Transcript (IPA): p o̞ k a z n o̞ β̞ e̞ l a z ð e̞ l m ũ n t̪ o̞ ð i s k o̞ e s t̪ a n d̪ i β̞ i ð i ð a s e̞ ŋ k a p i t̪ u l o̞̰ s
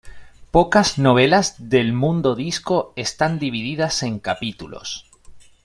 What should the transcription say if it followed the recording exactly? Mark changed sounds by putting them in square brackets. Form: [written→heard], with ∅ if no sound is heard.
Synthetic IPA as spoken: p o̞ k a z n o̞ β̞ e̞ l a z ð e̞ l m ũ n [t̪→d̪] o̞ ð i s k o̞ e s t̪ a n d̪ i β̞ i ð i ð a s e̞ ŋ k a p i t̪ u l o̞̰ s